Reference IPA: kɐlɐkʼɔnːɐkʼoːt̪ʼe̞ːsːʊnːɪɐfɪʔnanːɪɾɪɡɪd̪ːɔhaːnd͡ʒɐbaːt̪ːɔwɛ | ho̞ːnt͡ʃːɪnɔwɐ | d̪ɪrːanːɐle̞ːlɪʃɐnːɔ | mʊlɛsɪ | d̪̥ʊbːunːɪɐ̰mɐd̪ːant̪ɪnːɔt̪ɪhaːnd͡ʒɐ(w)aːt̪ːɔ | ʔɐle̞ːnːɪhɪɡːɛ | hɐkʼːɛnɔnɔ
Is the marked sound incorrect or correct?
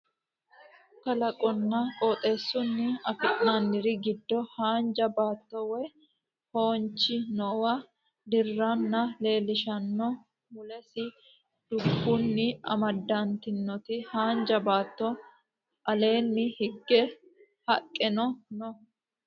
incorrect